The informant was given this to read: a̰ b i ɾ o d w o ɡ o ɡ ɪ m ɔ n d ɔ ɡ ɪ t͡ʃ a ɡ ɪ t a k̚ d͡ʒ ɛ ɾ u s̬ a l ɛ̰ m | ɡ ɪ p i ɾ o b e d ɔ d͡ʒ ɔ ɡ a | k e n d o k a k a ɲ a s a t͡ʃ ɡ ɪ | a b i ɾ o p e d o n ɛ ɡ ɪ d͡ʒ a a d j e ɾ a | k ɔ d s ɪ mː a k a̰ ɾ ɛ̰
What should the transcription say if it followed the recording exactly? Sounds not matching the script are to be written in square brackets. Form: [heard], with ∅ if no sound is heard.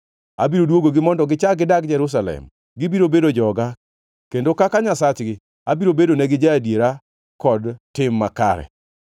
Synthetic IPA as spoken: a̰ b i ɾ o d w o ɡ o ɡ ɪ m ɔ n d ɔ ɡ ɪ t͡ʃ a ɡ ɪ [d] a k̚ d͡ʒ ɛ ɾ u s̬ a l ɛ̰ m | ɡ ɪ [b] i ɾ o b e d [o] d͡ʒ ɔ ɡ a | k e n d o k a k a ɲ a s a t͡ʃ ɡ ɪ | a b i ɾ o [b] e d o n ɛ ɡ ɪ d͡ʒ a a d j e ɾ a | k ɔ d [t] ɪ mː a k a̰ ɾ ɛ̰